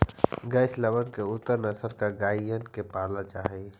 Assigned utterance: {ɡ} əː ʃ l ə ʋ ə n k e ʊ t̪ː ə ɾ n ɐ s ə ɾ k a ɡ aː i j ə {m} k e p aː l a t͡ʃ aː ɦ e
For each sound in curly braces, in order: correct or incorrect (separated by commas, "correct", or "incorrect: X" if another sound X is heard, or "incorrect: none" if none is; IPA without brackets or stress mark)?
correct, incorrect: n